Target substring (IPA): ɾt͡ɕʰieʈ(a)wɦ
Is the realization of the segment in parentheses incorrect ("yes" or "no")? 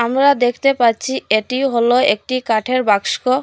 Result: yes